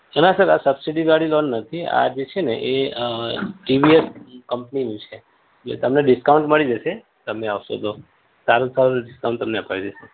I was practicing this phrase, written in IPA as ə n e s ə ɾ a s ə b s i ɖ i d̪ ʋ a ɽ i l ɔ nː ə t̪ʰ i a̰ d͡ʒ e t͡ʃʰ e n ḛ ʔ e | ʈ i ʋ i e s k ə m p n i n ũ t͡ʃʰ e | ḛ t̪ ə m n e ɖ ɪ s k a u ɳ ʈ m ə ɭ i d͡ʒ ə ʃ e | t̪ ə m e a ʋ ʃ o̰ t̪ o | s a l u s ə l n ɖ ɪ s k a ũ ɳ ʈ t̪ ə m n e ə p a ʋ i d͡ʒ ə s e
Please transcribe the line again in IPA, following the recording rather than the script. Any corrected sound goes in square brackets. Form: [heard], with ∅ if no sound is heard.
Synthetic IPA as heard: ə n [a] s ə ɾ a s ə b s i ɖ i d̪ ʋ a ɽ i l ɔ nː ə t̪ʰ i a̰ d͡ʒ e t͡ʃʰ e n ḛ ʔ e | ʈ i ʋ i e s k ə m p n i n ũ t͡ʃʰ e | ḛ t̪ ə m n e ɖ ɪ s k a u ɳ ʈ m ə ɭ i d͡ʒ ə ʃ e | t̪ ə m e a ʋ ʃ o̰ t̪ o | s a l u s [a] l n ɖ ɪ s k a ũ ɳ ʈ t̪ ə m n e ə p a ʋ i d͡ʒ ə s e